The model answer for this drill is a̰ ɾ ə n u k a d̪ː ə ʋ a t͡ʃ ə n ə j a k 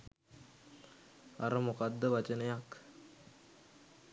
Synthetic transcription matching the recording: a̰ ɾ ə m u k a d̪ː ə ʋ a t͡ʃ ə n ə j a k

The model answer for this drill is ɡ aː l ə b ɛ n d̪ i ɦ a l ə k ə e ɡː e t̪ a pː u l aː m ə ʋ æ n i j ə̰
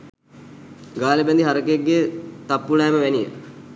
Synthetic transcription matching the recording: ɡ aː l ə b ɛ n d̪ i ɦ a ɾ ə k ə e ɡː e t̪ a pː u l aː m ə ʋ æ n i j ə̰

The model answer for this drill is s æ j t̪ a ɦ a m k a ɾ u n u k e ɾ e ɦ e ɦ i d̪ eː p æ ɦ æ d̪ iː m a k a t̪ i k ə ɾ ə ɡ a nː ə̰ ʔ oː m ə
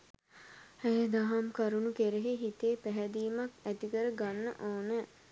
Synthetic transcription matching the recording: h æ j d̪ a ɦ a m k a ɾ u n u k e ɾ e ɦ e ɦ i t̪ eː p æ ɦ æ d̪ iː m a k æ t̪ i k ə ɾ ə ɡ a nː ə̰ ʔ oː n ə

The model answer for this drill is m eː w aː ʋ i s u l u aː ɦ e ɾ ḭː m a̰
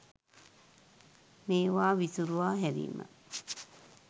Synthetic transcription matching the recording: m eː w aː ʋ i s u ɾ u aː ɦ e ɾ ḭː m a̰

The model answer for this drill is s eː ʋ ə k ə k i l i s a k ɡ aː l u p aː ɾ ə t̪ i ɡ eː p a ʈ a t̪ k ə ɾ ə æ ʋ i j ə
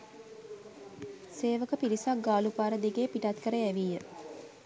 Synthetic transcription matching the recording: s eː ʋ ə k ə p i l i s a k ɡ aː l u p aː ɾ ə d̪ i ɡ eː p i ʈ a t̪ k ə ɾ ə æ ʋ i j ə

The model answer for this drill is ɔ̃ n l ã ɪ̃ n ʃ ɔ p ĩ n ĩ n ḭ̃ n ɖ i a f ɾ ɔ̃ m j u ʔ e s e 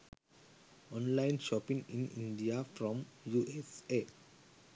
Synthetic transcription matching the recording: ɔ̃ n l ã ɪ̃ n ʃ ɔ p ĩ ŋ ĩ n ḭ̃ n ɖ i a f ɾ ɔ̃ m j u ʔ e s e

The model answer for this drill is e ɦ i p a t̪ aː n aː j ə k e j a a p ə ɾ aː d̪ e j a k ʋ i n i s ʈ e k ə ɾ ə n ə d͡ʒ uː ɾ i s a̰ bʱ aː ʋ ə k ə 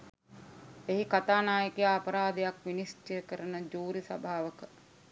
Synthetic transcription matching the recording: e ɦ i k a t̪ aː n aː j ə k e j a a p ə ɾ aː d̪ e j a k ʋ i n i s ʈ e k ə ɾ ə n ə d͡ʒ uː ɾ i s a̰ bʱ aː ʋ ə k ə

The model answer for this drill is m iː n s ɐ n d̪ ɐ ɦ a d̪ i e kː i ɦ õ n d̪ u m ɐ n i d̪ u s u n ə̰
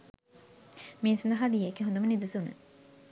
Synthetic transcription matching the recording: m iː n s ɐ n d̪ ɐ ɦ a d̪ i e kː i ɦ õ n d̪ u m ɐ n i d̪ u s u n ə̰

